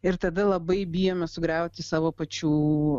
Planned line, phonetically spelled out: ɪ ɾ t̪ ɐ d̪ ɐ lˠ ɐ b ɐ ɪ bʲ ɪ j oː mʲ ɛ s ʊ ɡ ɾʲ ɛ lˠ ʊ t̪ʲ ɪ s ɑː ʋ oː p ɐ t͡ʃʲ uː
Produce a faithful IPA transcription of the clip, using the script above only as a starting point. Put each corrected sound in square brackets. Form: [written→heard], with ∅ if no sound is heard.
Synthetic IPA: ɪ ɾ t̪ ɐ d̪ ɐ lˠ ɐ b ɐ ɪ bʲ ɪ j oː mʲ ɛ s ʊ ɡ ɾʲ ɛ [lˠ→∅] ʊ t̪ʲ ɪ s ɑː ʋ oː p ɐ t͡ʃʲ uː